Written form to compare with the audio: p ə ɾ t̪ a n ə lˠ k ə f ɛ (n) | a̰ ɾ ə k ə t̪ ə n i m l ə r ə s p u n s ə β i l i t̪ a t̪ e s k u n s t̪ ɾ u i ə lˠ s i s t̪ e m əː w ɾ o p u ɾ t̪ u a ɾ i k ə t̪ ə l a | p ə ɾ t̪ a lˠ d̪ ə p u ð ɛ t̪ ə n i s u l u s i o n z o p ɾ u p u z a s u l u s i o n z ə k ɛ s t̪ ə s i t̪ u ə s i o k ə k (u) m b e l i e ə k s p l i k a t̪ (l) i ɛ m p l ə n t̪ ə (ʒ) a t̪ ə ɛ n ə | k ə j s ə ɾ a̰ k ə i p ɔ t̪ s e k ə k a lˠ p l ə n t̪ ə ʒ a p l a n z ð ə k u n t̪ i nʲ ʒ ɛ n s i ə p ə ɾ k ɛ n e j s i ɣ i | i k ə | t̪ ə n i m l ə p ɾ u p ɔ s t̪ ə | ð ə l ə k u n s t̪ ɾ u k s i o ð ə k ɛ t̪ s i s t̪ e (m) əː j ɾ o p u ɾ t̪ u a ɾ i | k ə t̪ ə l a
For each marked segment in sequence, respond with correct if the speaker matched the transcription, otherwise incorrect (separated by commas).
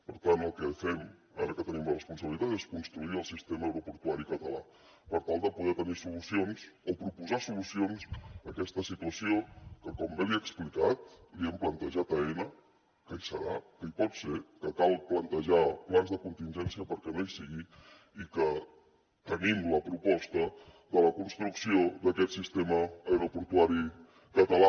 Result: incorrect, incorrect, correct, correct, correct